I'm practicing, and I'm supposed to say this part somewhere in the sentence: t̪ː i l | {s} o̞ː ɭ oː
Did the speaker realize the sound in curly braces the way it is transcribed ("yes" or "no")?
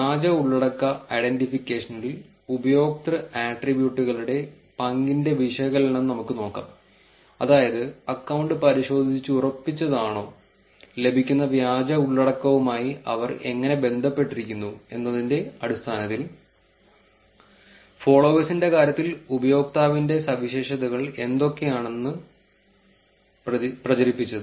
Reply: no